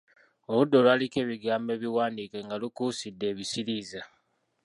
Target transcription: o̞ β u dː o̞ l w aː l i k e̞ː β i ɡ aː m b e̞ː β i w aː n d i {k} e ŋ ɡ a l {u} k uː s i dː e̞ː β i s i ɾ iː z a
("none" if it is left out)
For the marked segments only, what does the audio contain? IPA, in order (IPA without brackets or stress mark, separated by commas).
k, u